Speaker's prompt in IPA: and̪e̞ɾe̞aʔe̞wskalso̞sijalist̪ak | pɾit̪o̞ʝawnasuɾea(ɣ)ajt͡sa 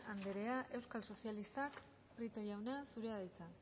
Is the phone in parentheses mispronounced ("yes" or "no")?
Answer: yes